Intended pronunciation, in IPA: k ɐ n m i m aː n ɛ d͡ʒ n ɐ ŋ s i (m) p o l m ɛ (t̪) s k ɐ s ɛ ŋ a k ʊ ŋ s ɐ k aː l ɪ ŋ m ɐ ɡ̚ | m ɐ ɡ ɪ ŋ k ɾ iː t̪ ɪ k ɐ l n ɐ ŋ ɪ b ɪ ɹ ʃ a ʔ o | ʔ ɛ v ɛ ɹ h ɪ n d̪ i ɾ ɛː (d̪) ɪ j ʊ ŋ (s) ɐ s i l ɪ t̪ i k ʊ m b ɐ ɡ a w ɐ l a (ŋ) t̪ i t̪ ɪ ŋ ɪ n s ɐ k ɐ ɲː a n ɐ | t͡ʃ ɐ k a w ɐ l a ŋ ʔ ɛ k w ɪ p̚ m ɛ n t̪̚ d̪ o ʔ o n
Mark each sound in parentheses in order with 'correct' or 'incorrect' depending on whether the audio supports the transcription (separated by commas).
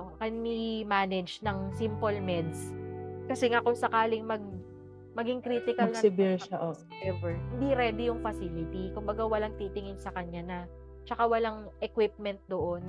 correct, incorrect, correct, incorrect, correct